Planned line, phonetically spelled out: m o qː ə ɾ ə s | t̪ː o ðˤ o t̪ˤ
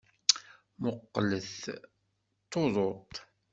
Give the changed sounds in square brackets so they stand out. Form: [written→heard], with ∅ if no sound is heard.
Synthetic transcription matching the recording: m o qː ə [ɾ→l] ə [s→θ] | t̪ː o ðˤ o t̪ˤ